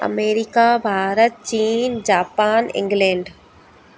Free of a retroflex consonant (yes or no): no